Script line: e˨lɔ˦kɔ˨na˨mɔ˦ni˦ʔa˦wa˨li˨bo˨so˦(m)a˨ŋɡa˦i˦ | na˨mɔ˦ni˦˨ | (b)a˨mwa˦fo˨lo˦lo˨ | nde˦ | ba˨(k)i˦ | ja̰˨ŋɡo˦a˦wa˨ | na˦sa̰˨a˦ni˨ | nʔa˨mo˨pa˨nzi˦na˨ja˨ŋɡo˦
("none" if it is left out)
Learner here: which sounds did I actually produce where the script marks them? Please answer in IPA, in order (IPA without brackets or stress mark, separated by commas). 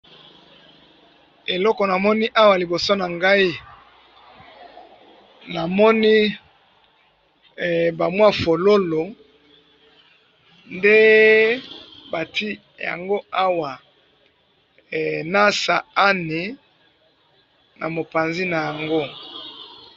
n, b, t